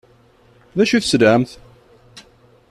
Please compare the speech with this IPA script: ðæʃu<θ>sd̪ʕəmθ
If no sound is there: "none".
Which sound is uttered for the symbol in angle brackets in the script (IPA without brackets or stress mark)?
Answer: θ